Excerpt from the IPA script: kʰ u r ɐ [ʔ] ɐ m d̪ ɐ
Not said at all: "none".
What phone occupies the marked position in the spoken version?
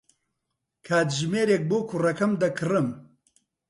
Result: k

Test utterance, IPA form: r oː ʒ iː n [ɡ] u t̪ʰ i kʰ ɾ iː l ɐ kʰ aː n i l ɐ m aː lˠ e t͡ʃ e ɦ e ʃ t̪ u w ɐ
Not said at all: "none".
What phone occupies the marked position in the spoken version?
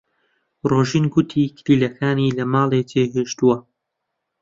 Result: ɡ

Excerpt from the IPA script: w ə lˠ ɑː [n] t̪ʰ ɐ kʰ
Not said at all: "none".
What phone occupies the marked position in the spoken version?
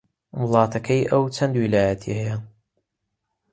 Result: none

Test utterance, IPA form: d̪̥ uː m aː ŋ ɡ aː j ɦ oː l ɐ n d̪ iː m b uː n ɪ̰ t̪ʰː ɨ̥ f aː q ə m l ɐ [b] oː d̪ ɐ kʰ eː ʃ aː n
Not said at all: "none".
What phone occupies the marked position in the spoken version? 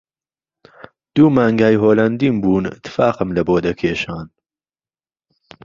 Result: b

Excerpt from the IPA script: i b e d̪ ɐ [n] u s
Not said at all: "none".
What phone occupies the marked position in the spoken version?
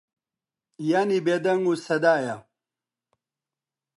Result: ŋ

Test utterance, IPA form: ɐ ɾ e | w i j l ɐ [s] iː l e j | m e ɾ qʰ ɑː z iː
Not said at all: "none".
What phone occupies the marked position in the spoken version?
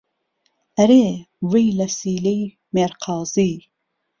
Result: s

